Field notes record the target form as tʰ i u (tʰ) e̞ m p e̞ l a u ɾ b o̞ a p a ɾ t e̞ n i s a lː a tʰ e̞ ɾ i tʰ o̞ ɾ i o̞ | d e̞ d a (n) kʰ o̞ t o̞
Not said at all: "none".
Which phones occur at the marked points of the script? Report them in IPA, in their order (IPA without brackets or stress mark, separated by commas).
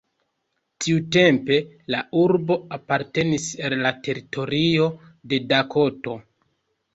t, none